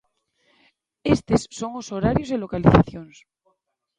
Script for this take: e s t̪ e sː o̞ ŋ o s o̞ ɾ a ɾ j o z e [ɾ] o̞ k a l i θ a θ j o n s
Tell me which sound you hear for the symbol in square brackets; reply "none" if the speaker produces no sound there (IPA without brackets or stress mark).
l